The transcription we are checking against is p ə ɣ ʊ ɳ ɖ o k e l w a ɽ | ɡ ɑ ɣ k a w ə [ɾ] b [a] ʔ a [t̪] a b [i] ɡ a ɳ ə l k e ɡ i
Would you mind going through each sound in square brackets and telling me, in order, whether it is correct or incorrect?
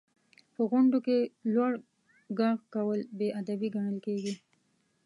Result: incorrect, incorrect, incorrect, correct

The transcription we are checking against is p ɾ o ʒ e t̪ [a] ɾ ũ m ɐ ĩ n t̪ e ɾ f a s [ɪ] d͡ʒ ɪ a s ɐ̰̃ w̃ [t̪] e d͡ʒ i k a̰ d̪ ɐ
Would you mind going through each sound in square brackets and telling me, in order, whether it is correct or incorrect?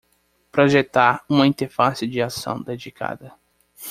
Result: correct, correct, incorrect

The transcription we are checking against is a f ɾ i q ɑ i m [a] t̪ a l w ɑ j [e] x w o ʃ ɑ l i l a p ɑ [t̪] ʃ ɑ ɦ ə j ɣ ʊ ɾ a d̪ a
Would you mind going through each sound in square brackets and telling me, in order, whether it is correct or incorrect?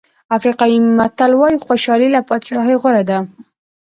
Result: correct, incorrect, correct

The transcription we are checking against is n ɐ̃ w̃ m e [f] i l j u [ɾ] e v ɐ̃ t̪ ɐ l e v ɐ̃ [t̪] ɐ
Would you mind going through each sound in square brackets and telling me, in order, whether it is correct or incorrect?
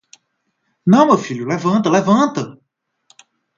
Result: correct, incorrect, correct

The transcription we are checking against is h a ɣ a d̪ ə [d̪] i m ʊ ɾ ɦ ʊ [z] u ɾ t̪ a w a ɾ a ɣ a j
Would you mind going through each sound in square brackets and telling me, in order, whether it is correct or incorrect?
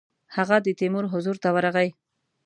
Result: incorrect, correct

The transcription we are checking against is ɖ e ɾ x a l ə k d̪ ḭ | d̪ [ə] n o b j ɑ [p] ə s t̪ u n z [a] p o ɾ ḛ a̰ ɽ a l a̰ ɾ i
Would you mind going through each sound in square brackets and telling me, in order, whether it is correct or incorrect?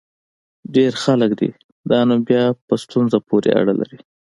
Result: incorrect, correct, correct

